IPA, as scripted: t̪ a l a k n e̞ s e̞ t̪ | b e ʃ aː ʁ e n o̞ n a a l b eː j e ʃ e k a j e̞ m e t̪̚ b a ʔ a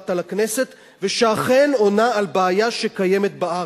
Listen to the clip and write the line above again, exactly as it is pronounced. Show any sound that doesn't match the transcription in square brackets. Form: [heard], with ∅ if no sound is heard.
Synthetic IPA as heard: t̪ a l a k n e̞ s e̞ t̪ | [v] e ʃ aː [χ] e n o̞ n a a l b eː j [a] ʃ e k a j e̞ m e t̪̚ b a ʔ a